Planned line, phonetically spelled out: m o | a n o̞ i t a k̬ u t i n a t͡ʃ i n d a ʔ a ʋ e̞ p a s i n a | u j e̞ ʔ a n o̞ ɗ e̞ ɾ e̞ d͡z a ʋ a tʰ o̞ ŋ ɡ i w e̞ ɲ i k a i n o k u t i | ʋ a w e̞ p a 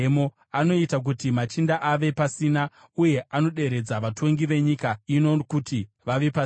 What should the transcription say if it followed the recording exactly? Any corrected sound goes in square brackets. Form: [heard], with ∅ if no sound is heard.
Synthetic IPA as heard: m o | a n o̞ i t a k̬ u t i [m] a t͡ʃ i n d a ʔ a ʋ e̞ p a s i n a | u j e̞ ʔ a n o̞ ɗ e̞ ɾ e̞ d͡z a ʋ a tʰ o̞ ŋ ɡ i [ʋ] e̞ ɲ i k a i n o k u t i | ʋ a [ʋ] e̞ p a